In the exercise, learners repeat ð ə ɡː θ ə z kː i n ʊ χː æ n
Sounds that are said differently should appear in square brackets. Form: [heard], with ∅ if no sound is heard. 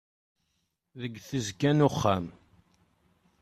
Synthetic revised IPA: ð ə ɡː θ ə z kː [æ] n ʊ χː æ [m]